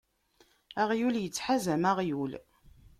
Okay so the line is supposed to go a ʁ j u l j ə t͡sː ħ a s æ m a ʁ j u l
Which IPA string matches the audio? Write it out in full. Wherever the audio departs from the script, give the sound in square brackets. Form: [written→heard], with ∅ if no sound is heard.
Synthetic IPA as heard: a ʁ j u l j ə t͡sː ħ a [s→z] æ m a ʁ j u l